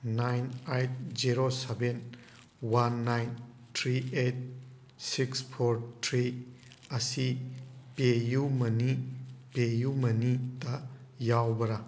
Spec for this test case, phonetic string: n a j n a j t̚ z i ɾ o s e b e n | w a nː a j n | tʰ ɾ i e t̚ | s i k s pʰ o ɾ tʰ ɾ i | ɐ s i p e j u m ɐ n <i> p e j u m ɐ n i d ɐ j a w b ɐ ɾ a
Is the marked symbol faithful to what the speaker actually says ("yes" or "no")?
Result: yes